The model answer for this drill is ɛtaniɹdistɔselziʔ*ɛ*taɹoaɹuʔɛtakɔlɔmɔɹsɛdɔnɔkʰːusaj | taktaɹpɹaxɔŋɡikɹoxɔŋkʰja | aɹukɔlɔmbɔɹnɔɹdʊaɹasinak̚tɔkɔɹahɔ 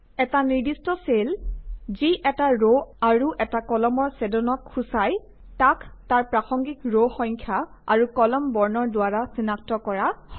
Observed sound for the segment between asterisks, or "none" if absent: ɛ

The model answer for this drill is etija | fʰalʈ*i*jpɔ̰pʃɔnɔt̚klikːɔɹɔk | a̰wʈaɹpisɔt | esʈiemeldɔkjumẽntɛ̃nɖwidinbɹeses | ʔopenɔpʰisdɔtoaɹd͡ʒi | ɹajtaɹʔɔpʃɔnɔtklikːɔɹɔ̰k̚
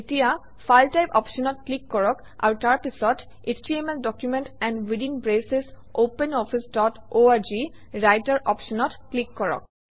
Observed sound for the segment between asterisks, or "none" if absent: a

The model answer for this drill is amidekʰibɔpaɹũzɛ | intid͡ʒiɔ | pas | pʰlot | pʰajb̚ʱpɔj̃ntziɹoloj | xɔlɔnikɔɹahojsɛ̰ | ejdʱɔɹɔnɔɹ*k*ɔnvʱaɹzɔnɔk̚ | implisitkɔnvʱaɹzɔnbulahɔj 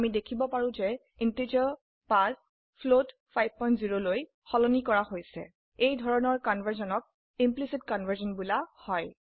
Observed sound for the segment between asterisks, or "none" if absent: k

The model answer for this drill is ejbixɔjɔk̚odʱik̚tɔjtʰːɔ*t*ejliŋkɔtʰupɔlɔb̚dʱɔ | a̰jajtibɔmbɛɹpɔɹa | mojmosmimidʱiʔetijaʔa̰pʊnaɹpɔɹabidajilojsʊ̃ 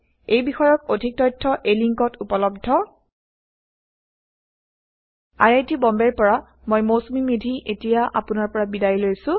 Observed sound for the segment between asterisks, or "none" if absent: ʔ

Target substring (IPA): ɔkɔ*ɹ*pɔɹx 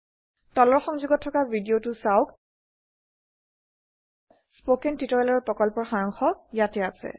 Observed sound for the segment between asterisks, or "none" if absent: l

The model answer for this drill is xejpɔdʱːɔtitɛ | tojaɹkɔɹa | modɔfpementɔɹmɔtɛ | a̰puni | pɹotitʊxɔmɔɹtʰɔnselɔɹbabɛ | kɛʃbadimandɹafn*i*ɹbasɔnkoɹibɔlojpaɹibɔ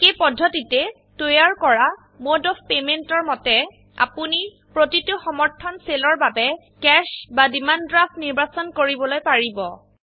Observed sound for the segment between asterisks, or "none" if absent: i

